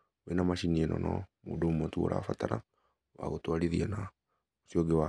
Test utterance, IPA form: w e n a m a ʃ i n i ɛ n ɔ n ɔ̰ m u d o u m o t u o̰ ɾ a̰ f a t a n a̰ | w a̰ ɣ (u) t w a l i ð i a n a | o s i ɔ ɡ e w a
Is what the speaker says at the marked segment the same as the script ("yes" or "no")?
no